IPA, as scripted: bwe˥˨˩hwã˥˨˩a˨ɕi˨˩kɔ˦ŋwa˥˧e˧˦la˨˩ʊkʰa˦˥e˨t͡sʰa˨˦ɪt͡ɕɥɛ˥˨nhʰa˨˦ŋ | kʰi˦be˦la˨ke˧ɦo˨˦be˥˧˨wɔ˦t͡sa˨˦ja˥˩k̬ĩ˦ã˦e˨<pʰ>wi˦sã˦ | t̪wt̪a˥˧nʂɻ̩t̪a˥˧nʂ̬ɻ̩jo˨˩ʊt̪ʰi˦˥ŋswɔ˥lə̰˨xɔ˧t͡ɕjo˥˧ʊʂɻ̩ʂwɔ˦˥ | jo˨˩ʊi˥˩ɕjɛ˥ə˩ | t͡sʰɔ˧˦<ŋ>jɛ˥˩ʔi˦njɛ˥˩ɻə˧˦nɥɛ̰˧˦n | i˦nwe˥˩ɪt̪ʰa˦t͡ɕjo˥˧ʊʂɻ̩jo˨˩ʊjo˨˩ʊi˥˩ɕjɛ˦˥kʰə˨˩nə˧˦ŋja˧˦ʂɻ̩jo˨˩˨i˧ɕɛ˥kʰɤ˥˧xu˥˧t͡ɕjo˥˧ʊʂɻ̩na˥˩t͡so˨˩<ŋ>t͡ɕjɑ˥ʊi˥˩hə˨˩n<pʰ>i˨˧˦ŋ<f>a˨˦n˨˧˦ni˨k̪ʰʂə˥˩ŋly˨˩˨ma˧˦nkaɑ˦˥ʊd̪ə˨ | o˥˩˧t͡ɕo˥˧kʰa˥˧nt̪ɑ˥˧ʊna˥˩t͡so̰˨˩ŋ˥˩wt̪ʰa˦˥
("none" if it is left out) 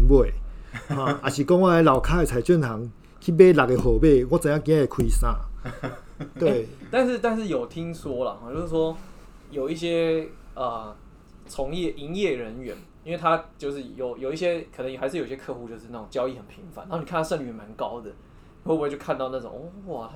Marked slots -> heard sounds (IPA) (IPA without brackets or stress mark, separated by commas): kʰ, ŋ, ŋ, pʰ, f